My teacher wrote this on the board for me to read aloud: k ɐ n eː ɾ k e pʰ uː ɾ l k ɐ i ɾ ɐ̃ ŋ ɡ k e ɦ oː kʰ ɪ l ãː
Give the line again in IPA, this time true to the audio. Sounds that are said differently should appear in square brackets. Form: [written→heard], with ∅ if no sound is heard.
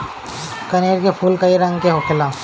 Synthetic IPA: k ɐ n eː ɾ k e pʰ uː [ɾ→∅] l k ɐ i ɾ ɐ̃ ŋ ɡ k e ɦ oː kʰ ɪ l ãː